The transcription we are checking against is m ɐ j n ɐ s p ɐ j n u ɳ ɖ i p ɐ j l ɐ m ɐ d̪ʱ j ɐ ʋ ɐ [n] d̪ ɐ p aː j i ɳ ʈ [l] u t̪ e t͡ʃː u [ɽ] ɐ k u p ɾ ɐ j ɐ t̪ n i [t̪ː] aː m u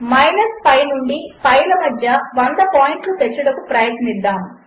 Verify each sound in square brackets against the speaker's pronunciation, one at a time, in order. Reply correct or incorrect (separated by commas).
correct, correct, correct, incorrect